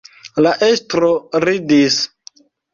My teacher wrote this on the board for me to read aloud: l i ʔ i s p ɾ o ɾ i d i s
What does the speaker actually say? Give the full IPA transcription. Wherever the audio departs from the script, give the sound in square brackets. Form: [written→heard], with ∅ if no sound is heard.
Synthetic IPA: l [i→a] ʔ [i→e] s [p→t] ɾ o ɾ i d i s